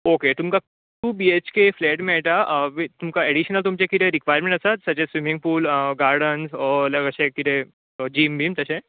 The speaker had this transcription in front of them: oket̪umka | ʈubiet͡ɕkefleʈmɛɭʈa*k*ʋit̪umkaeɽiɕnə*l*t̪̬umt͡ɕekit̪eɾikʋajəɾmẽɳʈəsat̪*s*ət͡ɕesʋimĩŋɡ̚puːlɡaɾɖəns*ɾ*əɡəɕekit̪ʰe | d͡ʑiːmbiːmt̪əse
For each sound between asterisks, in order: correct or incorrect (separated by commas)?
incorrect, correct, correct, incorrect